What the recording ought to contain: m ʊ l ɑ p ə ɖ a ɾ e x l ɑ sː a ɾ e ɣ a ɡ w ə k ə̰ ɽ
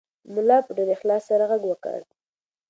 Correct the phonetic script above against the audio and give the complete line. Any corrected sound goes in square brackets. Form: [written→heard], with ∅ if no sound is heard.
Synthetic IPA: m ʊ l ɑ p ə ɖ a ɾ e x l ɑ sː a ɾ [e→a] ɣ a ɡ w ə k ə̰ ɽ